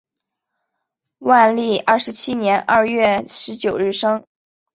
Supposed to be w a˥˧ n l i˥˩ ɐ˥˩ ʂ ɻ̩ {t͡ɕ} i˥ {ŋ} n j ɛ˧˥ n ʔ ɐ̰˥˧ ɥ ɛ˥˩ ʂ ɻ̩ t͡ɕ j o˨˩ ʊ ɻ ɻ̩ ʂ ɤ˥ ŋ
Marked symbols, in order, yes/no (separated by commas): no, no